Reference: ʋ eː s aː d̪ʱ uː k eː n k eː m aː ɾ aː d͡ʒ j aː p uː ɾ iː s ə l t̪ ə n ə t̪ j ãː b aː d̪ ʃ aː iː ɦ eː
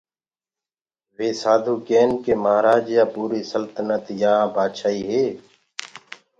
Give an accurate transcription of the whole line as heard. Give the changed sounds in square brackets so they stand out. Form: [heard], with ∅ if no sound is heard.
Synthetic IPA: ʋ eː s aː d̪ʱ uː k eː n k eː m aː ɾ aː d͡ʒ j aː p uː ɾ iː s ə l t̪ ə n ə t̪ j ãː b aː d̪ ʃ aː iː ɦ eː